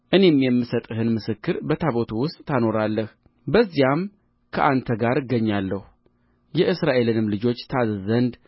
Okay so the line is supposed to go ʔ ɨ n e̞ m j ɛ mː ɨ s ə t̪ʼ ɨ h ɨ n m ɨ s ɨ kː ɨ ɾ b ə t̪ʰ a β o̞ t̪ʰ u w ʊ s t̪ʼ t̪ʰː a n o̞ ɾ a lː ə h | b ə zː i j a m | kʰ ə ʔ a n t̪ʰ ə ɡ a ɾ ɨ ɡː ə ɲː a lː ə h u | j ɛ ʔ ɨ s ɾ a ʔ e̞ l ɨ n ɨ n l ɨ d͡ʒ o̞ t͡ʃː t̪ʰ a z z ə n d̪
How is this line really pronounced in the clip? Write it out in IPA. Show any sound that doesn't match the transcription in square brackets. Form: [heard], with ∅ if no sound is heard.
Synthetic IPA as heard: ʔ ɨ n e̞ m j ɛ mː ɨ s ə t̪ʼ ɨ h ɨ n m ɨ s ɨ kː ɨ ɾ b ə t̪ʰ a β o̞ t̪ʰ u w ʊ s t̪ʼ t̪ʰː a n o̞ ɾ a lː ə h | b ə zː i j a m | kʰ ə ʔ a n t̪ʰ ə ɡ a ɾ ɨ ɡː ə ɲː a lː ə h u | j ɛ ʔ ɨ s ɾ a ʔ e̞ l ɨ n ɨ [m] l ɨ d͡ʒ o̞ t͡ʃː t̪ʰ a z z ə n d̪